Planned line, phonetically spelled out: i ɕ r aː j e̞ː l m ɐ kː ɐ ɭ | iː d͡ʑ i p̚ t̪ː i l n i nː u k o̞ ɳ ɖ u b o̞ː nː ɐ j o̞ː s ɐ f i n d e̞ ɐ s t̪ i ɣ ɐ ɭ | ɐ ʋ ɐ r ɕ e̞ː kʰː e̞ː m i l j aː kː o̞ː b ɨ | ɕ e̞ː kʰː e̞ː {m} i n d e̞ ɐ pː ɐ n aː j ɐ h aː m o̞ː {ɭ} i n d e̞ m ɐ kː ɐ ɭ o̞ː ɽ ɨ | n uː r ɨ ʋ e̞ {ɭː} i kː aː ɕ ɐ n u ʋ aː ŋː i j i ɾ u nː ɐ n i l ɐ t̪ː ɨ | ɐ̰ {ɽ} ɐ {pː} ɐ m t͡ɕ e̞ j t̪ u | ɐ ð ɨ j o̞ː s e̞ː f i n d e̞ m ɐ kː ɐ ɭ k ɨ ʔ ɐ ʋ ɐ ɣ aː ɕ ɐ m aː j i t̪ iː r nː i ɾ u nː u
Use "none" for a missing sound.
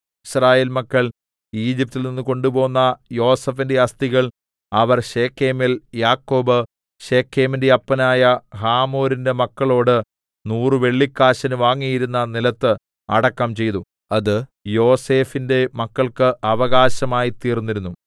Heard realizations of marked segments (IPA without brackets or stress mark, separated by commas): m, ɾ, ɭː, ɽ, kː